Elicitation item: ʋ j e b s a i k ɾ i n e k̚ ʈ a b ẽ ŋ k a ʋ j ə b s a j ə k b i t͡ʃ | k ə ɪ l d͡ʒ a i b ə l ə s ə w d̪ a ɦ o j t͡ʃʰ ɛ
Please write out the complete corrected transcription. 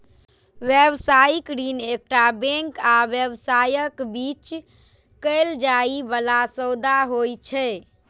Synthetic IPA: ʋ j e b s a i k ɾ i n e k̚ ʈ a b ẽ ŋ k a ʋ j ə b s a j ə k b i t͡ʃ | k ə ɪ l d͡ʒ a i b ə l a s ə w d̪ a ɦ o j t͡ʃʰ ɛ